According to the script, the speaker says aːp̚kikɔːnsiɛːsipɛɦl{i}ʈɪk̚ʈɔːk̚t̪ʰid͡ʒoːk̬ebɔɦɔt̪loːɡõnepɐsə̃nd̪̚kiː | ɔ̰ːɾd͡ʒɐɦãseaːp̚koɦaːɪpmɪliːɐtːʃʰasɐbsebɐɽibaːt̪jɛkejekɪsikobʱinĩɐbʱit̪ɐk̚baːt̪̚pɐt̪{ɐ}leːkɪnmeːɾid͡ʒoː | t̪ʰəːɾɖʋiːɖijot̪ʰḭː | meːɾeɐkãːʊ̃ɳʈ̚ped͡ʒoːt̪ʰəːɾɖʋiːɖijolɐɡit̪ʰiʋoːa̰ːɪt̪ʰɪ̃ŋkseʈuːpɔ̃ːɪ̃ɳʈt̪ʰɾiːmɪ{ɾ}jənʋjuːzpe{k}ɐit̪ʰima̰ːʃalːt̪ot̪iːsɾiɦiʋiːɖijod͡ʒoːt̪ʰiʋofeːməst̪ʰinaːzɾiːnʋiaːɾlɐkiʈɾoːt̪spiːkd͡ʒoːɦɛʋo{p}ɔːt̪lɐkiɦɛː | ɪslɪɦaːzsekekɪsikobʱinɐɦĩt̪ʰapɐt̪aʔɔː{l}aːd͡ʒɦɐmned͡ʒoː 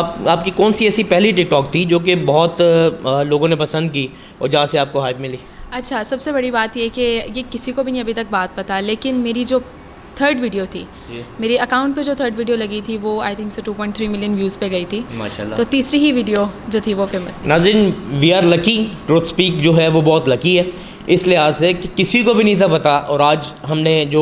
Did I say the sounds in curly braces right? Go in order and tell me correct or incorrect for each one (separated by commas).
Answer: correct, incorrect, incorrect, incorrect, incorrect, incorrect